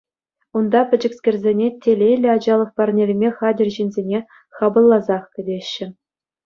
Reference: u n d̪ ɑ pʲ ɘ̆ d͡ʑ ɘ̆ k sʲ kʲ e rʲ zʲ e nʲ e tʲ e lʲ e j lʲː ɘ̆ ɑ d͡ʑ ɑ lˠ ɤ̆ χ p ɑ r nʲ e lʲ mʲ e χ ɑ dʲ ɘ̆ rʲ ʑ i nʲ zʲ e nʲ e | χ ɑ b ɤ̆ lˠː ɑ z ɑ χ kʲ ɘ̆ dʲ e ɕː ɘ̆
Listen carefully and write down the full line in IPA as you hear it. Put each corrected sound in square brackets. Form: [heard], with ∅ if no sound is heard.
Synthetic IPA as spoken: u n d̪ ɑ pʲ ɘ̆ d͡ʑ ɘ̆ k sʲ kʲ e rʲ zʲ e nʲ e tʲ e lʲ e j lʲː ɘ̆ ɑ d͡ʑ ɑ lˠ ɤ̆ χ p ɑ r nʲ e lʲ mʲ e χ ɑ dʲ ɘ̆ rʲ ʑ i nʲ zʲ e nʲ e | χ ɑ b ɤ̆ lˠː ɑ z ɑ χ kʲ ɘ̆ dʲ e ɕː ɘ̆